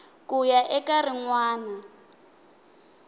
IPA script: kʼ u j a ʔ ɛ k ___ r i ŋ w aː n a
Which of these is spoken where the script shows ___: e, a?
a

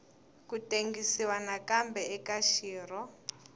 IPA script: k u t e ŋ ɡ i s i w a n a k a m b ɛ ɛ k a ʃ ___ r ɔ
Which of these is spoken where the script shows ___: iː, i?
iː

